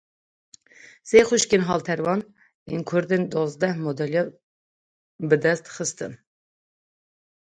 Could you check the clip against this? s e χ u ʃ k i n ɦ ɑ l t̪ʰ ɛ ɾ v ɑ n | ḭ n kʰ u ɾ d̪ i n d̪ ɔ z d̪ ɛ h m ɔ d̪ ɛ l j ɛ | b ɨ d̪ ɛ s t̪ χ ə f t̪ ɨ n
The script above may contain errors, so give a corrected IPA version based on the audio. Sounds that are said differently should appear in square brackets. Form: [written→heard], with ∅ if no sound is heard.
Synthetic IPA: s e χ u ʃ k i n ɦ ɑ l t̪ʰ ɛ ɾ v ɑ n | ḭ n kʰ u ɾ d̪ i n d̪ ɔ z d̪ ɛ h m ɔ d̪ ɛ l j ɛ | b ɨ d̪ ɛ s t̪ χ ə [f→s] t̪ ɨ n